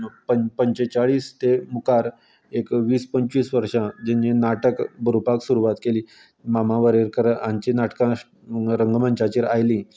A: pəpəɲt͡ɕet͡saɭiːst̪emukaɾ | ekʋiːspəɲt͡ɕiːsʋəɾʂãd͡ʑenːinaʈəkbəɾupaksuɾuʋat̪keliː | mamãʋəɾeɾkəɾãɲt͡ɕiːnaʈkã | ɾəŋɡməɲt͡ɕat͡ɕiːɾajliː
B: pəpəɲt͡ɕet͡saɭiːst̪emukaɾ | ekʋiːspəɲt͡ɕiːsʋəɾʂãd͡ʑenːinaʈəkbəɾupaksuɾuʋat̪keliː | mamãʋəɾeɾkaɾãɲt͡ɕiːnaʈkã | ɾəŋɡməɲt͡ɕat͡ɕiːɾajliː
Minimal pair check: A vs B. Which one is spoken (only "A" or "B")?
A